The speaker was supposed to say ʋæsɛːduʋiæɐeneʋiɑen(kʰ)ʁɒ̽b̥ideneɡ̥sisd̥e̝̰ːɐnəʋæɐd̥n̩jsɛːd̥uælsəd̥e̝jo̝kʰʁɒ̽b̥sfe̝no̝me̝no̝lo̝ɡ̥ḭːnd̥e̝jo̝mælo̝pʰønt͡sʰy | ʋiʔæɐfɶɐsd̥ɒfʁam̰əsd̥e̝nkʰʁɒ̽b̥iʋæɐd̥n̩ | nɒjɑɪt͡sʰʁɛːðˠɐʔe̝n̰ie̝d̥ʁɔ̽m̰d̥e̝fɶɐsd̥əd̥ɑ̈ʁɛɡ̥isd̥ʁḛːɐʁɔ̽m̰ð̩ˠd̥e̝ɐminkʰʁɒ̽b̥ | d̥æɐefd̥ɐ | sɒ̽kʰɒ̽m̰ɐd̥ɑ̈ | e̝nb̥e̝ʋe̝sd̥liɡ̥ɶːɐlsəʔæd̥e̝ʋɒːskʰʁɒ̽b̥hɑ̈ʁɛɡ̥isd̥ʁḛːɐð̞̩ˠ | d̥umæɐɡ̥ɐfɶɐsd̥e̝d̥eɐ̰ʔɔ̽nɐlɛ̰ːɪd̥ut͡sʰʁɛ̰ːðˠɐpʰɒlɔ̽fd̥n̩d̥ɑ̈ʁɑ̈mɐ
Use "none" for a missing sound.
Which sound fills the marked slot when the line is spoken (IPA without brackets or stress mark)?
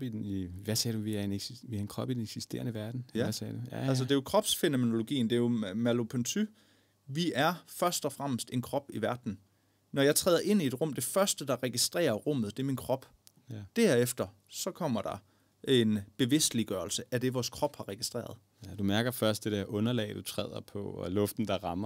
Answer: kʰ